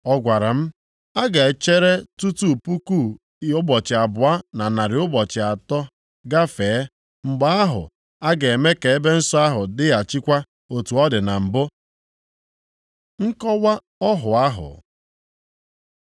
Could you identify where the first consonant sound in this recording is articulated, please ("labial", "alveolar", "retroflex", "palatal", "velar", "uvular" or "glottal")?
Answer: velar